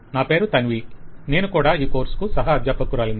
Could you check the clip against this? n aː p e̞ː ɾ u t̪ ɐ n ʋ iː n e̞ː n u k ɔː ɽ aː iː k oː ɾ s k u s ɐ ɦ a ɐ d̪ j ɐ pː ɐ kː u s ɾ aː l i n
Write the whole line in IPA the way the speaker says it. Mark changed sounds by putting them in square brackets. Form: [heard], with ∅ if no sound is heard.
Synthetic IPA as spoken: n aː p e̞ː ɾ u t̪ ɐ n ʋ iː n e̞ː n u k [uː] ɽ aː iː k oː ɾ s k u s ɐ ɦ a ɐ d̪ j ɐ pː ɐ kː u [∅] ɾ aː l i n